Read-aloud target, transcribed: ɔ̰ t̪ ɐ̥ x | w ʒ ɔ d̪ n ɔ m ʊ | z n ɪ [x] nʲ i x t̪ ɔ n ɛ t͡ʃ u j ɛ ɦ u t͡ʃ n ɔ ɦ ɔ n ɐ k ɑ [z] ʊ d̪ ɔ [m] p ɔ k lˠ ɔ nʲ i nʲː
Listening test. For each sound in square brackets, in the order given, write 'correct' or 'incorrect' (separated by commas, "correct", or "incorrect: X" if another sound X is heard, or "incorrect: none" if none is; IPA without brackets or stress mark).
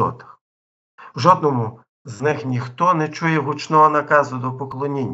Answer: correct, correct, incorrect: none